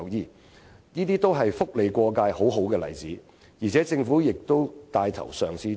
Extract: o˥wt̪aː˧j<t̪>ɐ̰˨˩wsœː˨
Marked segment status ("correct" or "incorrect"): incorrect